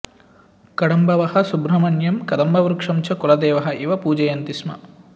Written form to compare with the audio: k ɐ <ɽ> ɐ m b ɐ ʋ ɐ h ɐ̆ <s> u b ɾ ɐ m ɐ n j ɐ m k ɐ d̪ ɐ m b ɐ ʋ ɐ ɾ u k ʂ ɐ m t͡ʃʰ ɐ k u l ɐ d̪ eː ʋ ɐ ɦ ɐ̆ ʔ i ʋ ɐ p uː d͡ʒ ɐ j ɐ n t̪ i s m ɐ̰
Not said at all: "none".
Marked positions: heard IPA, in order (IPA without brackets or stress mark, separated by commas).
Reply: ɽ, s